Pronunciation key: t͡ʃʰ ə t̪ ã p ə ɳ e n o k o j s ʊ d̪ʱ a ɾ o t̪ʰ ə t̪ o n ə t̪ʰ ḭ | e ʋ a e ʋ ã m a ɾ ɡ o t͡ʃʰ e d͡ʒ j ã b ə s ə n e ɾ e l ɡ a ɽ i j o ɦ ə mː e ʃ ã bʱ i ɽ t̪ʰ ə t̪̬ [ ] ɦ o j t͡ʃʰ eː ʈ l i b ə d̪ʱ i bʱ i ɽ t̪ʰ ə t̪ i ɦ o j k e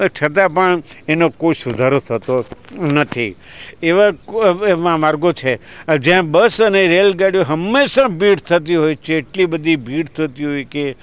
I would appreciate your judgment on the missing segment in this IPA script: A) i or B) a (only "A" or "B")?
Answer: A